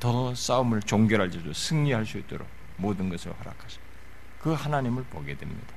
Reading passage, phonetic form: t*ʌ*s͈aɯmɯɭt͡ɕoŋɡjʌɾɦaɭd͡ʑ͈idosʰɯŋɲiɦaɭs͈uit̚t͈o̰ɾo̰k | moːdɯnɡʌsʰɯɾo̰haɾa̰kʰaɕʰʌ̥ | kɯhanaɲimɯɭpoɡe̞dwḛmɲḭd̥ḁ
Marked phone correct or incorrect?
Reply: correct